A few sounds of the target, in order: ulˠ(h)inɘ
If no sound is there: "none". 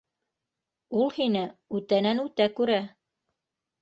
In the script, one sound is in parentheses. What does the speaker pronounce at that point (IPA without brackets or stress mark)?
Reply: h